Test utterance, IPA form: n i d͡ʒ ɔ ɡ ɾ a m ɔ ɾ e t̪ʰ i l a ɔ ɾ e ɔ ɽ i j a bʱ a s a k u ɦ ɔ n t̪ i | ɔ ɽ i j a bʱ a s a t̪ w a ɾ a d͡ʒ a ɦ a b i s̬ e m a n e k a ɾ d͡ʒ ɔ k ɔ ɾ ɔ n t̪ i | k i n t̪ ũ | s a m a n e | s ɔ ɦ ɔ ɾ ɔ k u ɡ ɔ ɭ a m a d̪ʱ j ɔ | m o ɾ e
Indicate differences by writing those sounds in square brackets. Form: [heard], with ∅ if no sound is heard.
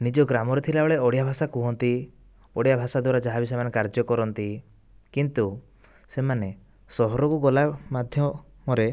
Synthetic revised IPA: n i d͡ʒ ɔ ɡ ɾ a m ɔ ɾ e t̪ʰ i l a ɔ [ɭ] e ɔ ɽ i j a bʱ a s a k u ɦ ɔ n t̪ i | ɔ ɽ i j a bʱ a s a [d̪] w a ɾ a d͡ʒ a ɦ a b i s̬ e m a n e k a ɾ d͡ʒ ɔ k ɔ ɾ ɔ n t̪ i | k i n t̪ [u] | s [e] m a n e | s ɔ ɦ ɔ ɾ ɔ k u ɡ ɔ [l] a m a d̪ʱ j ɔ | m [ɔ] ɾ e